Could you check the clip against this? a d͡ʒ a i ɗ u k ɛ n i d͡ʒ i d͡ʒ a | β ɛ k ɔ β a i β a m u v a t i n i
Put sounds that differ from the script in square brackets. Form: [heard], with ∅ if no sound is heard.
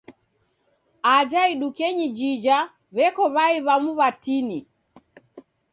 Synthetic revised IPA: a d͡ʒ a i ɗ u k ɛ [ɲ] i d͡ʒ i d͡ʒ a | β ɛ k ɔ β a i β a m u [β] a t i n i